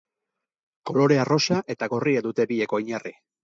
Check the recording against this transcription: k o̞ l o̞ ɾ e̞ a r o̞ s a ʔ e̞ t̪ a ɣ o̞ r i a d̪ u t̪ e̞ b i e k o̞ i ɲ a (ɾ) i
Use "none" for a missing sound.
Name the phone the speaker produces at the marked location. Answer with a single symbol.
r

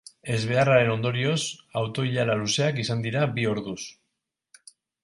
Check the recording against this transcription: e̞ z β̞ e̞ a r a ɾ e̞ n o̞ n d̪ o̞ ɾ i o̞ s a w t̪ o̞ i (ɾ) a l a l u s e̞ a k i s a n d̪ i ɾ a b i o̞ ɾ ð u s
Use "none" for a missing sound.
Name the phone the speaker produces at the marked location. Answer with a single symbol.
ʎ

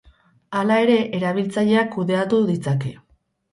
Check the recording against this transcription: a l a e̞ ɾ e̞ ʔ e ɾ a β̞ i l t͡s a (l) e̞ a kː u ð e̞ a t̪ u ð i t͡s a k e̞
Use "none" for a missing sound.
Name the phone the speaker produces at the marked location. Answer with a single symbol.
ʎ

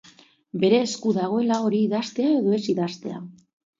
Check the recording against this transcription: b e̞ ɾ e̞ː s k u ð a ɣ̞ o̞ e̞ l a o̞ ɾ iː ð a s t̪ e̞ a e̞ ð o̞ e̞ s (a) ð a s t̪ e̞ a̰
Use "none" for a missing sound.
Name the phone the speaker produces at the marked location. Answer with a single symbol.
i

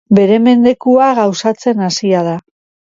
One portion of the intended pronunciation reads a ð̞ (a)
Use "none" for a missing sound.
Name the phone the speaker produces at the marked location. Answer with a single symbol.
a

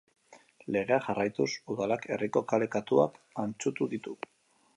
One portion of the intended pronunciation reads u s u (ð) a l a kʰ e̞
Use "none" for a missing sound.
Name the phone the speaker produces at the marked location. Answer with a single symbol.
ð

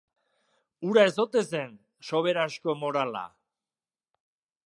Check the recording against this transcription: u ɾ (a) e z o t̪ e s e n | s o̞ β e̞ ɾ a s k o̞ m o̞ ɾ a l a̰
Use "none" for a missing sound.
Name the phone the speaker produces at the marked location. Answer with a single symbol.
a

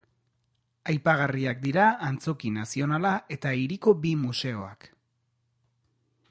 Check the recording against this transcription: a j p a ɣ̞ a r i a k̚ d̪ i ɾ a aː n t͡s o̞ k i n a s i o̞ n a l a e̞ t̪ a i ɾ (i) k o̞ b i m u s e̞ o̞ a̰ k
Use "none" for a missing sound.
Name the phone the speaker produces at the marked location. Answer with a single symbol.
i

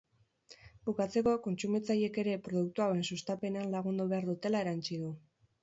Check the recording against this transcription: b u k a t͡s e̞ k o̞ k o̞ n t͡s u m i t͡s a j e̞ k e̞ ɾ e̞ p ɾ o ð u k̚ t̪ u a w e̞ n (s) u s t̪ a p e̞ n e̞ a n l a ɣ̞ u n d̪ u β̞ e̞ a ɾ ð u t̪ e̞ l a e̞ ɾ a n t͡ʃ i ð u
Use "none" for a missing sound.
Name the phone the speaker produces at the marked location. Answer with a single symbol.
s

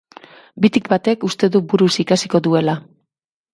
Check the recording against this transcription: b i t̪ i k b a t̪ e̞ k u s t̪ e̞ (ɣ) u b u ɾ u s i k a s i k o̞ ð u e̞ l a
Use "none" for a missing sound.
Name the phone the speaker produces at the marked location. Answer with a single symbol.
ð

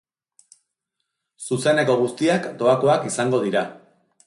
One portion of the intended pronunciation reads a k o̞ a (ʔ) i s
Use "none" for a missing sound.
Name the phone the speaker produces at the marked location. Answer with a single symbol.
k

